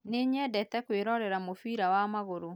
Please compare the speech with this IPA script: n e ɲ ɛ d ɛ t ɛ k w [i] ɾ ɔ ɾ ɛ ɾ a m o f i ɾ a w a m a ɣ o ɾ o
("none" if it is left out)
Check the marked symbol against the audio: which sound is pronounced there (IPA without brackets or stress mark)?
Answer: e